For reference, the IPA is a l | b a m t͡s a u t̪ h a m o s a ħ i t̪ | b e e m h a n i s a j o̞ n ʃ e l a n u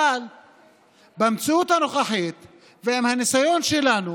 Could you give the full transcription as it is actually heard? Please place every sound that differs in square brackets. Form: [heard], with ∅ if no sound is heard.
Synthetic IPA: a l | b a m t͡s [i] u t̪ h a [n] o [χ] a ħ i t̪ | [v] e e m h a n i s a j o̞ n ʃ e l a n u